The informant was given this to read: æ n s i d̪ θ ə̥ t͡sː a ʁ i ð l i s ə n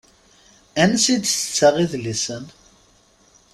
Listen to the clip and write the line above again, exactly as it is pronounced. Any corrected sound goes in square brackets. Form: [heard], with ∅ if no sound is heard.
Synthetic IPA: æ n s i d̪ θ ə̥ t͡sː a ʁ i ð l i s ə n

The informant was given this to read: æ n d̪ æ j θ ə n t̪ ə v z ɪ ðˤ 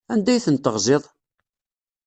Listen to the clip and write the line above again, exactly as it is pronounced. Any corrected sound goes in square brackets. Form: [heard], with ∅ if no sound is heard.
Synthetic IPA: æ n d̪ æ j θ ə n t̪ ə [ʁ] z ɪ ðˤ

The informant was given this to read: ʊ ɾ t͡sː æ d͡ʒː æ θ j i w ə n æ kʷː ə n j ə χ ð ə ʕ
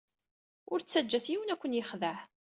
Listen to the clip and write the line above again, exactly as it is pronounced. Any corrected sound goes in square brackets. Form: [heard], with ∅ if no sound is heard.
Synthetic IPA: ʊ ɾ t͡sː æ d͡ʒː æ θ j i w ə n æ kʷː ə n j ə χ ð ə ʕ

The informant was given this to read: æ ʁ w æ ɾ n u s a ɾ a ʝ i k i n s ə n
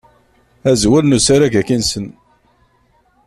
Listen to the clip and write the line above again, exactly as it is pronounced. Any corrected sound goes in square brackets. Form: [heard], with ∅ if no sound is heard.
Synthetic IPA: æ [z] w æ [l] n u s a ɾ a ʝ [æ] k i n s ə n

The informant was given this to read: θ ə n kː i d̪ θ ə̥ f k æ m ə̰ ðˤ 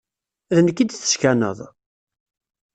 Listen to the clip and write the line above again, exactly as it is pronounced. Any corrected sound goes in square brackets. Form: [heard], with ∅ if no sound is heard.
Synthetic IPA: [ð] ə n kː i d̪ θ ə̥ [ʃ] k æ [n] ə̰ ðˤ

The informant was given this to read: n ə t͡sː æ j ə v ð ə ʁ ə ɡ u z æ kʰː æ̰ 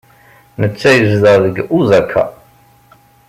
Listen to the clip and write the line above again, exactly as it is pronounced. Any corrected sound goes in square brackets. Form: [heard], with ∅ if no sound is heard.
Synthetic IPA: n ə t͡sː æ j ə [z] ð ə [ð] ə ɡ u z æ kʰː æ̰

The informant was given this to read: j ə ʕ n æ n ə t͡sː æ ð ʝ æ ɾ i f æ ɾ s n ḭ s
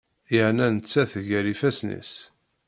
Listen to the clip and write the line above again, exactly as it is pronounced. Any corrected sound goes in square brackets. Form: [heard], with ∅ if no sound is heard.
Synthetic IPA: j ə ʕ n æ n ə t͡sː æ [θ] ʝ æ ɾ i f æ [∅] s n ḭ s

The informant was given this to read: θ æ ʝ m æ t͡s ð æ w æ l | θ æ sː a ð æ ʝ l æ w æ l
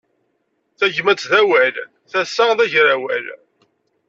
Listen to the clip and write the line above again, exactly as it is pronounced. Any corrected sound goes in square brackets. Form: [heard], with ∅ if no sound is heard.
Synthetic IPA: θ æ ʝ m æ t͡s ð æ w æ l | θ æ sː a ð æ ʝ [ɾ] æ w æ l

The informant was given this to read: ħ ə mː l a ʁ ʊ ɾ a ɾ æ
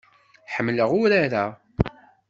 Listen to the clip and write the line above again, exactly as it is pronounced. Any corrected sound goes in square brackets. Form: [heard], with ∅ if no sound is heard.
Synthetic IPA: ħ ə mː l [ə] ʁ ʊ ɾ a ɾ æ

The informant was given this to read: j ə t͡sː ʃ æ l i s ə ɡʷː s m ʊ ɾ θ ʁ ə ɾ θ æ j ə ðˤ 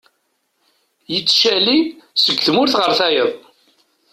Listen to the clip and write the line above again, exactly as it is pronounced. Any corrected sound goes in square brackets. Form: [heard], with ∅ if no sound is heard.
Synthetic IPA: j ə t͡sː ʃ æ l i s ə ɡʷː [θ] m ʊ ɾ θ ʁ ə ɾ θ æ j ə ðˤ

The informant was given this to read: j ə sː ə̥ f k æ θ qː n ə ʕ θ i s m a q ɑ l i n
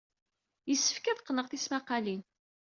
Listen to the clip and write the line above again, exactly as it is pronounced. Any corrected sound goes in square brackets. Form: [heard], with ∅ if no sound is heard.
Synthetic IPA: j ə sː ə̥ f k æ [ð] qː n ə [ʁ] θ i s m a q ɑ l i n

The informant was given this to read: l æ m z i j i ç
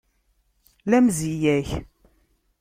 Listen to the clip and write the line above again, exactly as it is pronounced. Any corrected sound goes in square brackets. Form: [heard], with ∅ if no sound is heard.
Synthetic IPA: l æ m z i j [æ] ç

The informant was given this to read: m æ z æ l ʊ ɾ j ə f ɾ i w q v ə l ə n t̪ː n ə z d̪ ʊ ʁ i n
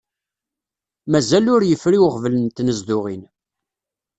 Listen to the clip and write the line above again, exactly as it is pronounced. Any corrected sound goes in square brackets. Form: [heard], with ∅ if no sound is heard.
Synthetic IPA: m æ z æ l ʊ ɾ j ə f ɾ i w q v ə l ə n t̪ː n ə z d̪ ʊ ʁ i n

